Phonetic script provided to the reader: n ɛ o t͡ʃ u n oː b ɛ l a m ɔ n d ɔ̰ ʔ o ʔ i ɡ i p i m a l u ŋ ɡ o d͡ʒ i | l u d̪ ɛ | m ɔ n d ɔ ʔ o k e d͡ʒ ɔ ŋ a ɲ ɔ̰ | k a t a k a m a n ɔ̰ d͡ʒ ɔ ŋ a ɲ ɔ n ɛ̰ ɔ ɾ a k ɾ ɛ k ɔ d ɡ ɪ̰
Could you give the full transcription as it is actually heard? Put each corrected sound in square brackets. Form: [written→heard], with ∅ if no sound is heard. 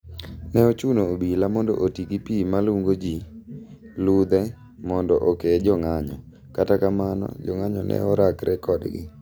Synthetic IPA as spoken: n ɛ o t͡ʃ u n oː b [ɛ→i] l a m ɔ n d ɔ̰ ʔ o [ʔ→t] i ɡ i p i m a l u ŋ ɡ o d͡ʒ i | l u d̪ ɛ | m ɔ n d ɔ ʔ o k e d͡ʒ ɔ ŋ a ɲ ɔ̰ | k a t a k a m a n ɔ̰ d͡ʒ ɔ ŋ a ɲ ɔ n ɛ̰ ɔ ɾ a k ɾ ɛ k ɔ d ɡ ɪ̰